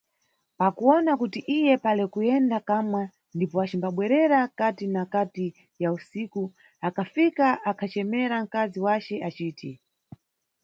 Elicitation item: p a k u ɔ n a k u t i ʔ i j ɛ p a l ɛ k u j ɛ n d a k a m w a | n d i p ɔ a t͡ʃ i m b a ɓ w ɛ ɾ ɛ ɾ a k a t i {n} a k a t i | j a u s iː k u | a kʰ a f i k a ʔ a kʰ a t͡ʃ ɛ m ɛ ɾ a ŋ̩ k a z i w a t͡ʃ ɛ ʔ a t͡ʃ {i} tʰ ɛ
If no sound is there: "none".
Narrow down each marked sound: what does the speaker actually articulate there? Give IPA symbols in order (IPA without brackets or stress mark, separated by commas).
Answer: n, iː